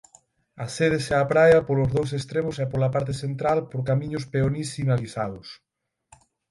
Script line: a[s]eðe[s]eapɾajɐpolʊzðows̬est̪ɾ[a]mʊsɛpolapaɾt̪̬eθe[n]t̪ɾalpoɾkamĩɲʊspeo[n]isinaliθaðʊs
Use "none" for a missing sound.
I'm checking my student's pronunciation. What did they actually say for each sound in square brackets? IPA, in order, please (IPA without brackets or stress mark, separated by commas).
s, s, e, n, n